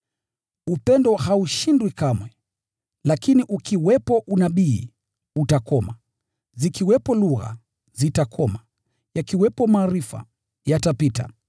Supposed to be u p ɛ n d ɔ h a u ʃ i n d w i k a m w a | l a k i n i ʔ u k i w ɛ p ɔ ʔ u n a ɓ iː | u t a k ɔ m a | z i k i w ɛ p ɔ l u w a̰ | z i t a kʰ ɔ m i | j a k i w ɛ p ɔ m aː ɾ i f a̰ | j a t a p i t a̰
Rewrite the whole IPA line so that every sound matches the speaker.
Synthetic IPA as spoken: u p ɛ n d ɔ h a u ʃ i n d w i k a m w ɛ | l a k i n i ʔ u k i w ɛ p ɔ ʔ u n a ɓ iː | u t a k ɔ m a | z i k i w ɛ p ɔ l u ɣ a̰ | z i t a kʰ ɔ m a | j a k i w ɛ p ɔ m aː ɾ i f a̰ | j a t a p i t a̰